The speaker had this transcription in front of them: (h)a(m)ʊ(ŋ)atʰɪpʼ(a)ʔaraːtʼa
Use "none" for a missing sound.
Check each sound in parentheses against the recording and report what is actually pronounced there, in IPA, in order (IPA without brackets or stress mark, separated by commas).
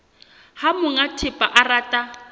h, m, ŋ, a